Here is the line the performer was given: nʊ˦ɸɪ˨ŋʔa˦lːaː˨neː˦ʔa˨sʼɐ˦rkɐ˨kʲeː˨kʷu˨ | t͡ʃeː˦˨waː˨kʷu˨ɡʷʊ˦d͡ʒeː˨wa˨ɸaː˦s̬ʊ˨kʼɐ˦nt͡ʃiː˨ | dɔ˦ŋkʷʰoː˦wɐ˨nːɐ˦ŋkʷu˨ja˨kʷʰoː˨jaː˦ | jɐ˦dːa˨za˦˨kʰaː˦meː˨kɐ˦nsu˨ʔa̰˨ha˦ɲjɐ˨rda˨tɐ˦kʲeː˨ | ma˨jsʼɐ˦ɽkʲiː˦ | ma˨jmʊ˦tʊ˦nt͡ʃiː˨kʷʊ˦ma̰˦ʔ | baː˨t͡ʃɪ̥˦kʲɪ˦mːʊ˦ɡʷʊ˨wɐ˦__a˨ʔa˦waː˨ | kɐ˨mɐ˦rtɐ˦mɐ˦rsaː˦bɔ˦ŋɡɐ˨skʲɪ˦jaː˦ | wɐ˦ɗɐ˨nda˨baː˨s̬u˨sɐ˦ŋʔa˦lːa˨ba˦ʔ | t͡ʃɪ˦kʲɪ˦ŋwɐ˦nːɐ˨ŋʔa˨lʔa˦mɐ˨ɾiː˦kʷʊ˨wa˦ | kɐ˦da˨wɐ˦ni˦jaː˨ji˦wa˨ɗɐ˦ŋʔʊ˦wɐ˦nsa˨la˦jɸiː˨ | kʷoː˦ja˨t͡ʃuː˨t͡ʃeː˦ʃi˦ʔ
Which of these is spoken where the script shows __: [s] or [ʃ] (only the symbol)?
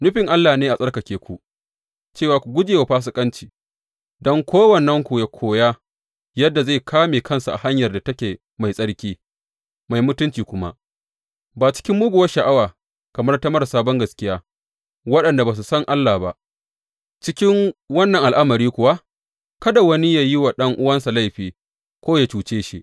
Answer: ʃ